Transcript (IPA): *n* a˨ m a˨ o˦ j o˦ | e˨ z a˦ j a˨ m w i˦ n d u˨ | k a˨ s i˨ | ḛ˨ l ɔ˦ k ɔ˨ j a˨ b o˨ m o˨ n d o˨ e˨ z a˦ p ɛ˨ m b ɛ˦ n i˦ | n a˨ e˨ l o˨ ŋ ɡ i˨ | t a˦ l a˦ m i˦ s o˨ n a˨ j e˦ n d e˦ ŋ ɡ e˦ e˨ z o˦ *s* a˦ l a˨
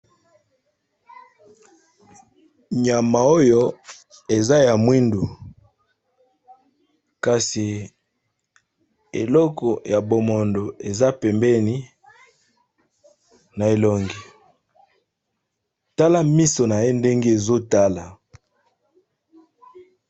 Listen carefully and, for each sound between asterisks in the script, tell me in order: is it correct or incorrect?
incorrect: ɲ, incorrect: t

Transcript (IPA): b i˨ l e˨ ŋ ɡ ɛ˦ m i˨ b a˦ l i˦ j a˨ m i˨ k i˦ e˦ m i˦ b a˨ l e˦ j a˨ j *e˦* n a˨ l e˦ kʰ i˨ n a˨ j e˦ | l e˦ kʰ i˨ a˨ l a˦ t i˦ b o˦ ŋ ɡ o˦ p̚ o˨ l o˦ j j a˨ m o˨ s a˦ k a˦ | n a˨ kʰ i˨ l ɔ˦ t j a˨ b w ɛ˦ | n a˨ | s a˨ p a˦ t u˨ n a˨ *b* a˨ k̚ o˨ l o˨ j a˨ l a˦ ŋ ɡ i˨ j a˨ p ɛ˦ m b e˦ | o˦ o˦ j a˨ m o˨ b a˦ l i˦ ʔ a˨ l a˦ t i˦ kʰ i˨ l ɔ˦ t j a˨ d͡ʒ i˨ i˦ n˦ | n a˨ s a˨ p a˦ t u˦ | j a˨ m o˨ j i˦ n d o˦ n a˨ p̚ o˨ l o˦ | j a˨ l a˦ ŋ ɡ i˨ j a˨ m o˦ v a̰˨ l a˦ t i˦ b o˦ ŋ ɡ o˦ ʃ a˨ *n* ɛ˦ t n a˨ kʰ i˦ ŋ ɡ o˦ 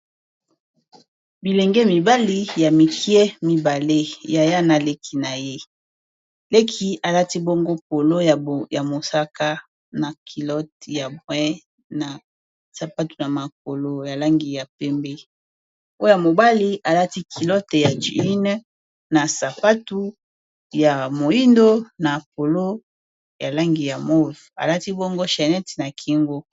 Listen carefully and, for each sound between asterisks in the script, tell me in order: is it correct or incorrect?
incorrect: a˦, incorrect: m, correct

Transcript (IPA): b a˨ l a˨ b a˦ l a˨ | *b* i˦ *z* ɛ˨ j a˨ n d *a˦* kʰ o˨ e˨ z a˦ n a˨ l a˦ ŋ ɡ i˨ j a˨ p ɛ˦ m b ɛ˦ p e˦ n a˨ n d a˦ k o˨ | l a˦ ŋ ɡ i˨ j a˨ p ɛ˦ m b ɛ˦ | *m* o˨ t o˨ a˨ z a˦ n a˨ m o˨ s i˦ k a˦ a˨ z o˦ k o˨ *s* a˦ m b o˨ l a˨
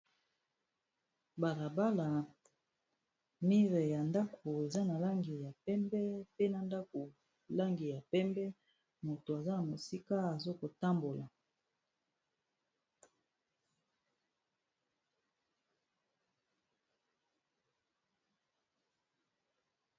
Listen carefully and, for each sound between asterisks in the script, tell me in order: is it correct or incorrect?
incorrect: m, incorrect: ʁ, correct, correct, incorrect: t

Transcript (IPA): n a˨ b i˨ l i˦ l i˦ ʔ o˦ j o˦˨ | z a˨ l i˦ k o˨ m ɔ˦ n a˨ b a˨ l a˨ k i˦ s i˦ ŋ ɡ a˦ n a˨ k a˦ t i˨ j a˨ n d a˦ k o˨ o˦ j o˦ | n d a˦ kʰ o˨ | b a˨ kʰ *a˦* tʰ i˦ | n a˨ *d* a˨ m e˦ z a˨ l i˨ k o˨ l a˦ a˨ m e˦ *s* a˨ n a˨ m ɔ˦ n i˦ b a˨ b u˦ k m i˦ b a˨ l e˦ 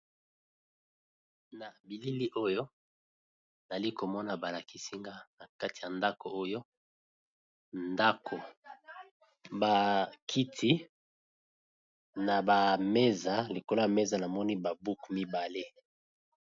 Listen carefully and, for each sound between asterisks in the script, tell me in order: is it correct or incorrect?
incorrect: i˦, incorrect: b, incorrect: z

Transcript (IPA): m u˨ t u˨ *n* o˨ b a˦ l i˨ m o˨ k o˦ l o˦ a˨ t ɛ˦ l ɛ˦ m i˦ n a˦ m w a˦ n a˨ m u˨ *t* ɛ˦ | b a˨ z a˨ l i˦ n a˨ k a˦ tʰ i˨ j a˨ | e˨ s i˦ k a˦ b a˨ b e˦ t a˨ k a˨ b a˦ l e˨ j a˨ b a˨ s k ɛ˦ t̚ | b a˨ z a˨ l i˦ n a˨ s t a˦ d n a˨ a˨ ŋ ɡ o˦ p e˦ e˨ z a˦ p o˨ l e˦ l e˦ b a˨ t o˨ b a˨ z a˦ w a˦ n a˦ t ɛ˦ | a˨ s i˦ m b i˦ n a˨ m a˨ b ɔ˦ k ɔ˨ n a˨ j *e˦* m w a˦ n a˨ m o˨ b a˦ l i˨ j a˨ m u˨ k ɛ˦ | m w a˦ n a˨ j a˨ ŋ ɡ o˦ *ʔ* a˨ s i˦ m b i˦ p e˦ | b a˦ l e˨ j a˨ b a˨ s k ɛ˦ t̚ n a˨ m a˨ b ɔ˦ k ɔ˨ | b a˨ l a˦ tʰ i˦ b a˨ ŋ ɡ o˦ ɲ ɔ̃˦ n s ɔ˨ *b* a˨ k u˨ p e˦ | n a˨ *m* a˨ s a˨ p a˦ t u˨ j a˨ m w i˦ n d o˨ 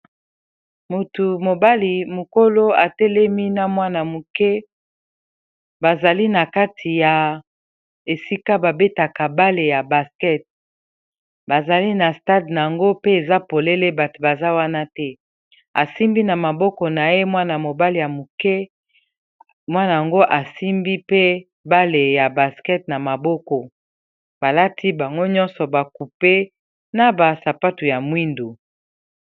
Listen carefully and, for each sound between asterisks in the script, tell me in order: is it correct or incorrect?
incorrect: m, incorrect: k, correct, correct, correct, incorrect: b

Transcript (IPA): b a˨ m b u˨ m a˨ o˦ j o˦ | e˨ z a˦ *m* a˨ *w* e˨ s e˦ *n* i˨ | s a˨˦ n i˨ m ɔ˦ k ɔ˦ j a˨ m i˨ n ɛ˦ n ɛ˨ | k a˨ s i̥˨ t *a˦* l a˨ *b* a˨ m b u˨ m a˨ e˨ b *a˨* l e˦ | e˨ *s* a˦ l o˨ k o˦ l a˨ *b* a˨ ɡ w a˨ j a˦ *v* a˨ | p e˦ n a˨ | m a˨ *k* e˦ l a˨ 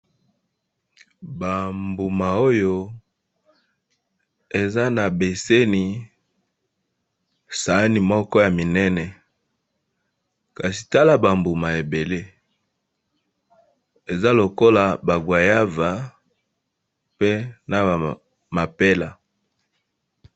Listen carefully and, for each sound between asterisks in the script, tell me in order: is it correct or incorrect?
incorrect: n, incorrect: b, correct, correct, correct, incorrect: e˨, incorrect: z, correct, correct, incorrect: p

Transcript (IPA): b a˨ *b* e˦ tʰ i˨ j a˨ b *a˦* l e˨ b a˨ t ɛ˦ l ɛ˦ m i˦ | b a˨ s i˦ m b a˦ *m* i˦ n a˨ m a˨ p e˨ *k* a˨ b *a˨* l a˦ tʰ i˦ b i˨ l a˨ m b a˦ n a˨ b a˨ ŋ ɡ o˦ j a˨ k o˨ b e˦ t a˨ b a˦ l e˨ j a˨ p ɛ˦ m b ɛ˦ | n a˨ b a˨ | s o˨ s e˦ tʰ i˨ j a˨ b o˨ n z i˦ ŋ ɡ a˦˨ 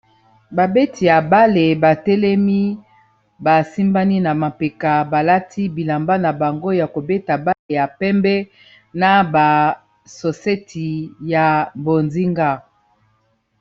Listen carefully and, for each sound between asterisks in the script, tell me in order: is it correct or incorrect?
correct, correct, incorrect: n, correct, correct

